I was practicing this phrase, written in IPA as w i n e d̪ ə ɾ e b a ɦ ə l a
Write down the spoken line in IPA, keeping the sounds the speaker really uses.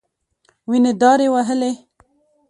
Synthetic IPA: w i n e d̪ ɑ ɾ e w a ɦ ə l e